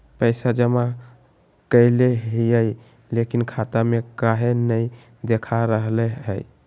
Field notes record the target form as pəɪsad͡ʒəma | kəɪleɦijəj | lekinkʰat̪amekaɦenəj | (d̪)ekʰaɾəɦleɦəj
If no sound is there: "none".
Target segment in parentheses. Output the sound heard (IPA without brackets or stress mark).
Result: d̪